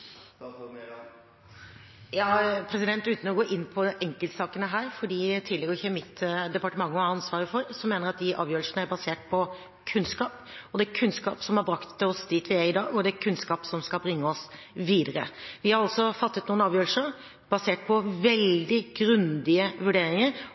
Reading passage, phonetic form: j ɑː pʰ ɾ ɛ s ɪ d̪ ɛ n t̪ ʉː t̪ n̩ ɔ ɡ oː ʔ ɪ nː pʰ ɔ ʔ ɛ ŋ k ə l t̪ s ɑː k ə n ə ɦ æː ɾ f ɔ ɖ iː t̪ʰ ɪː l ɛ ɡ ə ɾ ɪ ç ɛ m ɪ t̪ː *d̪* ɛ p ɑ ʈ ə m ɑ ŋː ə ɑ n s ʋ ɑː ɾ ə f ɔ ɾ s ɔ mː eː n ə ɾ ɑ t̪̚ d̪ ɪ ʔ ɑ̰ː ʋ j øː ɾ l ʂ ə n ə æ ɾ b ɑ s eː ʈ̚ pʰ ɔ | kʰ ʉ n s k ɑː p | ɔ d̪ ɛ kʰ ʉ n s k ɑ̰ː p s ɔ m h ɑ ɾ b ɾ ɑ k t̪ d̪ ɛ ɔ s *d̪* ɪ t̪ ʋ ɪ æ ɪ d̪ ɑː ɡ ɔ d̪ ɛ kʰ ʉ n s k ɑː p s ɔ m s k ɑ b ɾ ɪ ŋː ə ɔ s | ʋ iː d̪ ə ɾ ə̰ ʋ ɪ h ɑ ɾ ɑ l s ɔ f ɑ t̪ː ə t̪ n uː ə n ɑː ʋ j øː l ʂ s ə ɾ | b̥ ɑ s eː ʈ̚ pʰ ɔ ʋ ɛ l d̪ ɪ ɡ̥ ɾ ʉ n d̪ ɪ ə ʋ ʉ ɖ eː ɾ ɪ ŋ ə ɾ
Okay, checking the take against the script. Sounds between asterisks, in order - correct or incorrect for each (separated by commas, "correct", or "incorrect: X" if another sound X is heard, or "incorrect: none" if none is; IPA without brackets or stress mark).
correct, correct